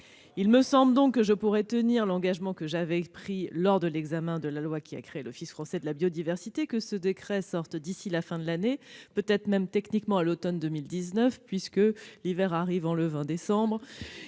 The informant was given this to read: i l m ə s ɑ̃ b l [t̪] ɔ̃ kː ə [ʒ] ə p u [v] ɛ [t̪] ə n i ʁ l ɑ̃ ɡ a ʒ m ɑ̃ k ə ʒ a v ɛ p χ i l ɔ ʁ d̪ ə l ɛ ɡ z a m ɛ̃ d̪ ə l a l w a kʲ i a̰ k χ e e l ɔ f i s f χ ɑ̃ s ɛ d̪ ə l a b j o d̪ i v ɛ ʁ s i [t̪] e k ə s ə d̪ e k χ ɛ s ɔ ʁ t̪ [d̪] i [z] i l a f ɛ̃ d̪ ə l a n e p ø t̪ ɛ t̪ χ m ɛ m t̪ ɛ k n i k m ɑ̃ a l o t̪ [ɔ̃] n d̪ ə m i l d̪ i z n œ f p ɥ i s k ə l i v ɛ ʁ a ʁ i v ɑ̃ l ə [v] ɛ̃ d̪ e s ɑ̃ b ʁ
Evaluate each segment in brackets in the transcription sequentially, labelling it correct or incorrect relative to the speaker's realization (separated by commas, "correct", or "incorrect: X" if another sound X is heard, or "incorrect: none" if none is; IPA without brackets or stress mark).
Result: incorrect: d̪, correct, incorrect: ʁ, correct, correct, correct, incorrect: s, incorrect: ɔ, correct